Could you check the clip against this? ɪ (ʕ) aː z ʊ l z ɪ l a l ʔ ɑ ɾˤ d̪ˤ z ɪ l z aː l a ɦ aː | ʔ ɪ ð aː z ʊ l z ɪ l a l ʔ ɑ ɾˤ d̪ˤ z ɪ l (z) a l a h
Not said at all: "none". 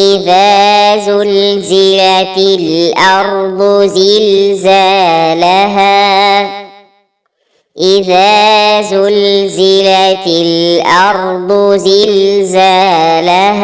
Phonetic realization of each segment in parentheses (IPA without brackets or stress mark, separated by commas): ð, z